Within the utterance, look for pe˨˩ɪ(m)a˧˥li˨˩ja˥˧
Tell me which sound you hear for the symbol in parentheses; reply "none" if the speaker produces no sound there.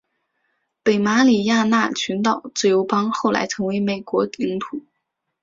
m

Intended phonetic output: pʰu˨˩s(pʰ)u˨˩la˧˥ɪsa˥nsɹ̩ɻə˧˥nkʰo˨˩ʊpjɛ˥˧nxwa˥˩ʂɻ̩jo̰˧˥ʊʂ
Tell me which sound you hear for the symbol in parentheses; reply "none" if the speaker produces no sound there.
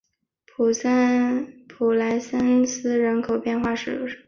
pʰ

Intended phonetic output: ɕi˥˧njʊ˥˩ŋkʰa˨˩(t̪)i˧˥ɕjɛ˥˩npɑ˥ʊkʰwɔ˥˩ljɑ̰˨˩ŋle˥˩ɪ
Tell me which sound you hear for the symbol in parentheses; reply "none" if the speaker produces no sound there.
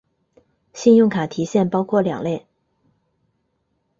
t̪ʰ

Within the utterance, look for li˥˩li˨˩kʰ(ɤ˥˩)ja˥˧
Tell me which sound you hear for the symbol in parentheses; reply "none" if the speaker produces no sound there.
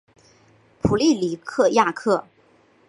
ɤ˥˧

